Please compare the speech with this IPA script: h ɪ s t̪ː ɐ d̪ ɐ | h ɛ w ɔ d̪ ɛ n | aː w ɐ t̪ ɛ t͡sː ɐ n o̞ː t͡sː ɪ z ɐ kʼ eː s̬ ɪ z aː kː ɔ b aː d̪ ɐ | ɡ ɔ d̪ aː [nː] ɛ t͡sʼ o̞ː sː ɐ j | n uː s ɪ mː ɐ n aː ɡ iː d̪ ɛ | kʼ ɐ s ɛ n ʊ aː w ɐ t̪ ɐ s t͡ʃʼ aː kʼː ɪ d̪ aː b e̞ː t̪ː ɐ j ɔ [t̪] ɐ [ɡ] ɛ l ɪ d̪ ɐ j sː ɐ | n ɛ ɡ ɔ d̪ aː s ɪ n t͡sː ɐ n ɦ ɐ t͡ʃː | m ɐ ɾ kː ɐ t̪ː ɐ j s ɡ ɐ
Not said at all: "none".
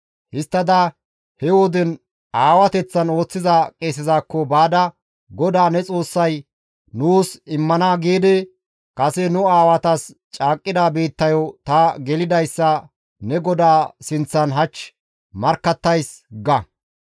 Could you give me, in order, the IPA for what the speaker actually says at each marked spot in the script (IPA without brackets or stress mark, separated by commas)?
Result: n, t̪, ɡ